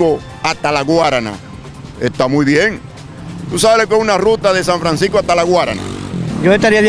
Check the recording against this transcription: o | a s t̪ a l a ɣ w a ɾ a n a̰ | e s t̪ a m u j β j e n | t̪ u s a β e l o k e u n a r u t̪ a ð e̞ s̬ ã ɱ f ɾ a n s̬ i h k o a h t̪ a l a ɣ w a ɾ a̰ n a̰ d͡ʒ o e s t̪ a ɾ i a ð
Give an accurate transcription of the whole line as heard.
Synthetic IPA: o | a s t̪ a l a ɣ w a ɾ a n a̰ | e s t̪ a m u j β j e ŋ | t̪ u s a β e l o k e u n a r u t̪ a ð e̞ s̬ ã ɱ f ɾ a n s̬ i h k o a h t̪ a l a ɣ w a ɾ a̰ n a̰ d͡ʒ o e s t̪ a ɾ i a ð